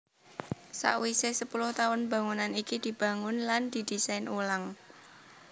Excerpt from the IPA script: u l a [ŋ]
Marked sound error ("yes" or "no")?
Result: no